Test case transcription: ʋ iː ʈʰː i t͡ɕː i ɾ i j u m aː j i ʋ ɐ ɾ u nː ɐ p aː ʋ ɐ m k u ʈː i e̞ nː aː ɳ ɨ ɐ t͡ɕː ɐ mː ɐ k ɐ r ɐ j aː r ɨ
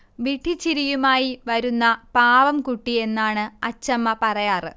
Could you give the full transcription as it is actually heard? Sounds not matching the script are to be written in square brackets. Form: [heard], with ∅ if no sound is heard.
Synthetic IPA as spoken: ʋ [i] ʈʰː i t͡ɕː i ɾ i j u m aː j i ʋ ɐ ɾ u nː ɐ p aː ʋ ɐ m k u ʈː i e̞ nː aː ɳ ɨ ɐ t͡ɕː ɐ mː ɐ [p] ɐ r ɐ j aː r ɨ